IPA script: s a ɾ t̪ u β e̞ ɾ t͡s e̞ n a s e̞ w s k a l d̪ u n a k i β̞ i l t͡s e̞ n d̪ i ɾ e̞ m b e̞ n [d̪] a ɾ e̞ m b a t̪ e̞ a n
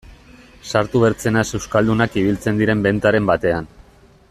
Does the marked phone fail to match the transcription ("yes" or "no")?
yes